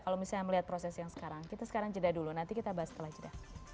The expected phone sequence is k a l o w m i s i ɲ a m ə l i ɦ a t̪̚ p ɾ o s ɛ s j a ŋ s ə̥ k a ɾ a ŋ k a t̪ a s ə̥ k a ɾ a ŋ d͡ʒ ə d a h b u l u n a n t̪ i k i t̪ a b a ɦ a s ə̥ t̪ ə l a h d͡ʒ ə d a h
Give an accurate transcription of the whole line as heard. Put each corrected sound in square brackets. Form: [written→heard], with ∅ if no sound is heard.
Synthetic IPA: k a l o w m i s [i→a] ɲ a m ə l i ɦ a t̪̚ p ɾ o s ɛ s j a ŋ s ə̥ k a ɾ a ŋ k [a→i] t̪ a s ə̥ k a ɾ a ŋ d͡ʒ ə d a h [b→d] u l u n a n t̪ i k i t̪ a b a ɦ a s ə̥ t̪ ə l a h d͡ʒ ə d a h